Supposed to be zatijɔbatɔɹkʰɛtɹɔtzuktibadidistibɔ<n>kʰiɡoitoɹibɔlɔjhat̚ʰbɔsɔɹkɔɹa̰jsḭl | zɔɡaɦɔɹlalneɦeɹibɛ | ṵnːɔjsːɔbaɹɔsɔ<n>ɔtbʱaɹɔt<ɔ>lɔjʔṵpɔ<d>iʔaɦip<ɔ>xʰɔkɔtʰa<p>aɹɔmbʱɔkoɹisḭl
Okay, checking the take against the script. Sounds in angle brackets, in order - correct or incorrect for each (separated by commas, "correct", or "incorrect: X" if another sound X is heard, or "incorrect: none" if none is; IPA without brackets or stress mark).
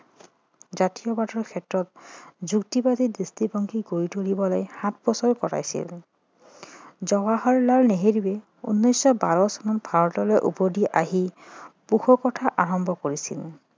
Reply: incorrect: ŋ, correct, correct, correct, incorrect: u, incorrect: ʔ